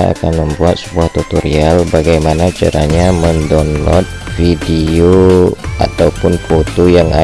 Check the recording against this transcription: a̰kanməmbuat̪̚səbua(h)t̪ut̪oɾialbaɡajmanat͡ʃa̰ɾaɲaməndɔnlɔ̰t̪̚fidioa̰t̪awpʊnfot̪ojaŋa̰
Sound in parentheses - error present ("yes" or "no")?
no